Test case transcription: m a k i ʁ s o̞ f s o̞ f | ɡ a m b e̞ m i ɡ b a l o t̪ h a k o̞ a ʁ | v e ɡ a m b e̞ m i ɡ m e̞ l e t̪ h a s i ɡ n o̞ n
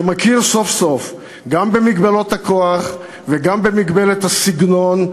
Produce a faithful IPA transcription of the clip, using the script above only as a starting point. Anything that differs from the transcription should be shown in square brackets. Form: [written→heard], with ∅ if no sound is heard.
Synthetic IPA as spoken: m a k i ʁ s o̞ f s o̞ f | ɡ a m b e̞ m i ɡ b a l o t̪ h a k o̞ a [ʁ→χ] | v e ɡ a m b e̞ m i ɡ [m→b] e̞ l e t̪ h a s i ɡ n o̞ n

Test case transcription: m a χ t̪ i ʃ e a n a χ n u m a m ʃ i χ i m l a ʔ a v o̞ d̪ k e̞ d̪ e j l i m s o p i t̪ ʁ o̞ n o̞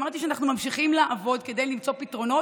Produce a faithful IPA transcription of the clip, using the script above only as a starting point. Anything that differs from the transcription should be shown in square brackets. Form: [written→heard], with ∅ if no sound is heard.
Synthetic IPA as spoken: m a [χ→ʁ] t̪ i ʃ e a n a χ n u m a m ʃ i χ i m l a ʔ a v o̞ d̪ k e̞ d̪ e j l i m [s→t͡s] o p i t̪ ʁ o̞ n o̞

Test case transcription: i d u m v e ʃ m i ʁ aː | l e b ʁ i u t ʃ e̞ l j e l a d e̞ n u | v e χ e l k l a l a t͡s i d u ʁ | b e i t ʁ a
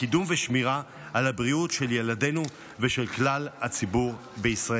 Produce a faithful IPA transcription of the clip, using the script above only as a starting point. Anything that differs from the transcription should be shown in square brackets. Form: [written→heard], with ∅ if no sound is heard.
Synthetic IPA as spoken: i d u m v e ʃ m i ʁ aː | l [e→a] b ʁ i u t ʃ e̞ l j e l a d e̞ n u | v e [χ→ʃ] e l k l a l a t͡s i [d→b] u ʁ | b e i [t→s] ʁ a

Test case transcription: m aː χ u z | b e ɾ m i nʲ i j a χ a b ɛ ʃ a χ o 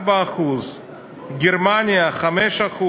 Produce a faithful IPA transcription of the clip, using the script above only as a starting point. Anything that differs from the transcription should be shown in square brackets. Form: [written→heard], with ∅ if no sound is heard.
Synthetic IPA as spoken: [m→b] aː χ u z | [b→ɡ] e ɾ m [i→a] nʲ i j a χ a [b→m] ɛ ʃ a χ [o→u]

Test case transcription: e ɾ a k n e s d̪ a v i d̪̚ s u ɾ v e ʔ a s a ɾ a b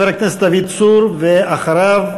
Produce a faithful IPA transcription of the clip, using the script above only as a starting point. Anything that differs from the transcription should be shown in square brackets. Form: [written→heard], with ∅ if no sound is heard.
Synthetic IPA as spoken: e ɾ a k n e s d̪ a v i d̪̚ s u ɾ v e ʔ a [s→χ] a ɾ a [b→v]

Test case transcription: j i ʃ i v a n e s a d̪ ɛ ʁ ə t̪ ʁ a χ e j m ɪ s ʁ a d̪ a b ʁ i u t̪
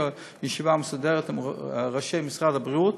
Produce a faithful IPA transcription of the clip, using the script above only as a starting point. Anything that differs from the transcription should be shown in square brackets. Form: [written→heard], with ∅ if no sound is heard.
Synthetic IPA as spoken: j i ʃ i v a [n→m] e s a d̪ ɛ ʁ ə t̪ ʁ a [χ→ʃ] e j m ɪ s ʁ a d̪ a b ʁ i u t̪

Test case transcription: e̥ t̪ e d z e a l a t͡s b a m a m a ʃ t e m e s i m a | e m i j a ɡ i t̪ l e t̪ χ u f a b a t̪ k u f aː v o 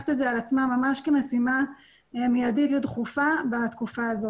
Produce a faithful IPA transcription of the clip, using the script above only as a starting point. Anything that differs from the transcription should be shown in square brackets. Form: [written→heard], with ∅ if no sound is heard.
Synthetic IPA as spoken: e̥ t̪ e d z e a l a t͡s [b→m] a m a m a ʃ [t→k] e m e s i m a | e m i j a [ɡ→d] i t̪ l e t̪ χ u f a b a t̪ k u f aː [v→z] o

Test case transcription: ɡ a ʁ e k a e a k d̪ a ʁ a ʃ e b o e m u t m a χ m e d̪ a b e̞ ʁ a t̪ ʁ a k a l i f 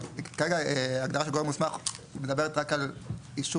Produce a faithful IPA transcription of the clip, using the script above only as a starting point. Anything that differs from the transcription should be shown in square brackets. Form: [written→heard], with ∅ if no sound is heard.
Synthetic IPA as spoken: [ɡ→k] a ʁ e [k→ɡ] a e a [k→ɡ] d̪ a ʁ a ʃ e [b→ɡ] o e m u [t→s] m a χ m e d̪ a b e̞ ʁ [a→e] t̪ ʁ a k a l i [f→ʃ]

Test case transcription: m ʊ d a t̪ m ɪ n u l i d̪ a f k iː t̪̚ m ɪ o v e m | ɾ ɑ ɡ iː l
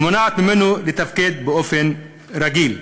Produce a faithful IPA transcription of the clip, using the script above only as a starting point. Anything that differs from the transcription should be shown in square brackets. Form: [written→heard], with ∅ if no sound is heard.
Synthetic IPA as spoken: m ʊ [d→n] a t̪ m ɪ n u l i [d̪→t̪] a f k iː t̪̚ [m→b] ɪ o [v→f] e [m→n] | ɾ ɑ ɡ iː l

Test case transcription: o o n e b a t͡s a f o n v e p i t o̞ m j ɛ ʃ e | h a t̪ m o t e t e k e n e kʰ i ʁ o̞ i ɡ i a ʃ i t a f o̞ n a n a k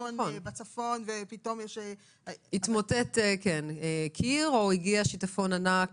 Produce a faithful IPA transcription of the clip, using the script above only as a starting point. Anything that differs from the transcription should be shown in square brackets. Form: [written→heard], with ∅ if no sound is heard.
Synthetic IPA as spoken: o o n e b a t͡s a f o n v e p i t o̞ m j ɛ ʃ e | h [a→i] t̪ m o t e t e k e n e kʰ i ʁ o̞ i ɡ i a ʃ i t a f o̞ n a n a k

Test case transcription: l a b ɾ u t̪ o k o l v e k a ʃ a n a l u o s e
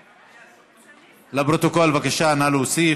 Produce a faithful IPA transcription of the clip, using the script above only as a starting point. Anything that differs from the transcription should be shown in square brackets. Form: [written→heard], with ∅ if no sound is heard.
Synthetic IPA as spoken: l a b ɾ [u→o] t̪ o k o l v [e→a] k a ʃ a n a l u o s [e→i]

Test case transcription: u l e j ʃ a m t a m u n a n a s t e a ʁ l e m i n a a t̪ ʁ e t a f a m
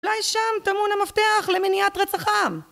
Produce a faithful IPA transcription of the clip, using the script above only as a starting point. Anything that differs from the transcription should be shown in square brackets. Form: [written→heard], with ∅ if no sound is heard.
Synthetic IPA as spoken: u l [e→a] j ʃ a m t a m u n a [n→m] a [s→f] t e a [ʁ→χ] l e m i n [a→i] a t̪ ʁ e [t→t͡s] a [f→χ] a m

